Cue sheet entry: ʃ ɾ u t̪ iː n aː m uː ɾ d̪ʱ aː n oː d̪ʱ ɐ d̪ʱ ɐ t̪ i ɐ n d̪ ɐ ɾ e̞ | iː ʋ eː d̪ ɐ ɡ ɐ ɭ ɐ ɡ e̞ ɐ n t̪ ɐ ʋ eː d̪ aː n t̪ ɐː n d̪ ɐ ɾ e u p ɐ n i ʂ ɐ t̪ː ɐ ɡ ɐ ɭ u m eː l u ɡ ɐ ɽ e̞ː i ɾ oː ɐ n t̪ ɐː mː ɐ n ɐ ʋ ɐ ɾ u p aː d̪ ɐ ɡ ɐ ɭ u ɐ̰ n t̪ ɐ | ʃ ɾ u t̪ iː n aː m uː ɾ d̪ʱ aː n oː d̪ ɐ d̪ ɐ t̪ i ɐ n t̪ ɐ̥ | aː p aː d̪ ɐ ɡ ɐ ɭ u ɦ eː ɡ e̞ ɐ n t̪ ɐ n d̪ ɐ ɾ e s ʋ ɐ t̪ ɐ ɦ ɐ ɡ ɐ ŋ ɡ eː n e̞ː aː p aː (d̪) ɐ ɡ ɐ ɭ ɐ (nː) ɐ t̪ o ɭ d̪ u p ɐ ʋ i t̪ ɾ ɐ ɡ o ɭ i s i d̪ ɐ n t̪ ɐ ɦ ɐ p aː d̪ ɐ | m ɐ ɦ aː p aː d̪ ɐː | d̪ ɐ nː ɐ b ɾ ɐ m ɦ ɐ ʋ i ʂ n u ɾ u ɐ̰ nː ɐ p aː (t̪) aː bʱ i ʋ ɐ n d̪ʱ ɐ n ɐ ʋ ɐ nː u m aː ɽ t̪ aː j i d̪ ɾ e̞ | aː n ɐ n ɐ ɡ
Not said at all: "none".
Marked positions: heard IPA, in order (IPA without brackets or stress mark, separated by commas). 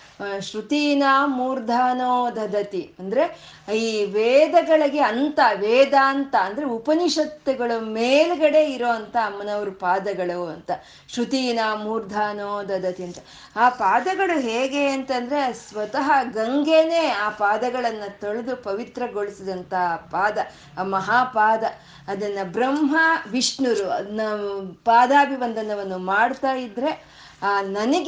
d̪, nː, d̪